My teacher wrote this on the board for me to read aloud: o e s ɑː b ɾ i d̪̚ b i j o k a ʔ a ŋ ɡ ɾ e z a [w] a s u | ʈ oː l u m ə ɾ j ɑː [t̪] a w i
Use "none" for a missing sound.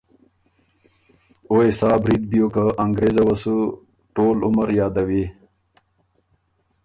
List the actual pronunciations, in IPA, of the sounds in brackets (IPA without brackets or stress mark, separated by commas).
w, d̪